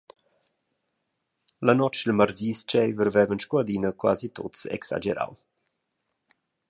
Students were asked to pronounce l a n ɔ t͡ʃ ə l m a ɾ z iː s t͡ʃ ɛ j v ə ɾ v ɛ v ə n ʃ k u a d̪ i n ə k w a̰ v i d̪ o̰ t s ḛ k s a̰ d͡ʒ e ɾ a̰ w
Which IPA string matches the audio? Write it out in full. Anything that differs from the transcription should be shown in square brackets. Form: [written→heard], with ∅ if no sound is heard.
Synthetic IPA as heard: l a n ɔ t͡ʃ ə l m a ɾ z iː s t͡ʃ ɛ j v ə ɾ v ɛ v ə n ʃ k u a d̪ i n ə k w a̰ [v→z] i [d̪→t̪] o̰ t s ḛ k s a̰ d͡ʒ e ɾ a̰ w